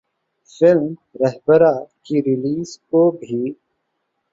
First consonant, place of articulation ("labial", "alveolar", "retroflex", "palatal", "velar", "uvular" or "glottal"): labial